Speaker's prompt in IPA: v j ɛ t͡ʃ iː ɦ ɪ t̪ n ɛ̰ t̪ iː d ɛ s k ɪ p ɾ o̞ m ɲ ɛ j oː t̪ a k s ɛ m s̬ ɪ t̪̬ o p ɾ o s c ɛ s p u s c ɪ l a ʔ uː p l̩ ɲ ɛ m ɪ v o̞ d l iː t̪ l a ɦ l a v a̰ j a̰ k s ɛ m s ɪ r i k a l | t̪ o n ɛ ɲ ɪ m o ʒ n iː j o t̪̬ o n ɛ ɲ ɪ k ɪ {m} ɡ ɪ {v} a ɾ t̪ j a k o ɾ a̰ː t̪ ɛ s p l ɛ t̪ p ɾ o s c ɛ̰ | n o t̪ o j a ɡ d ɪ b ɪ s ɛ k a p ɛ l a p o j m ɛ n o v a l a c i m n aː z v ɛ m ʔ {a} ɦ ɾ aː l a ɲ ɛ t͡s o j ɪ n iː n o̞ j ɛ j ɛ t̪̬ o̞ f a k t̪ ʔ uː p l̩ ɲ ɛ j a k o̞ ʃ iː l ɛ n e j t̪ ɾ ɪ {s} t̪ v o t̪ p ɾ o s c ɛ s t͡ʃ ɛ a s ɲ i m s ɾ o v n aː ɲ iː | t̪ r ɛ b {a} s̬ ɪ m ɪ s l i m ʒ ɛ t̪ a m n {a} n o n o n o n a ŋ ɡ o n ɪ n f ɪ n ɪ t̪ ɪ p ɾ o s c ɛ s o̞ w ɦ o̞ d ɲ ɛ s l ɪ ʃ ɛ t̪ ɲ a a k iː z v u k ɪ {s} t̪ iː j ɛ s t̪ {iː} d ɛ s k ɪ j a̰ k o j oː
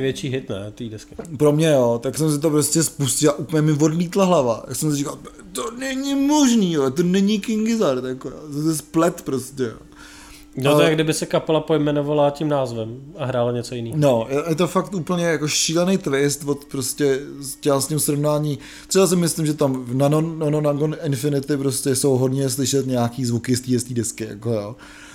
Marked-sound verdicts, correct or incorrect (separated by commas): incorrect, incorrect, correct, correct, correct, correct, correct, correct